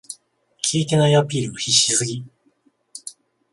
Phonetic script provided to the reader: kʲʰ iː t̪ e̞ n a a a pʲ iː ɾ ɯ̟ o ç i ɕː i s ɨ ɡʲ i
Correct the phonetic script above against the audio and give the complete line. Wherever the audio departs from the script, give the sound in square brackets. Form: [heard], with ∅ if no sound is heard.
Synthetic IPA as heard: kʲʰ iː t̪ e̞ n a [i] a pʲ iː ɾ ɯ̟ o ç i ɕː i s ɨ ɡʲ i